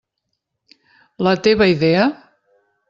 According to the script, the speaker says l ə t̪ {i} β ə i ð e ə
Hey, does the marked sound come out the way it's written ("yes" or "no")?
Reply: no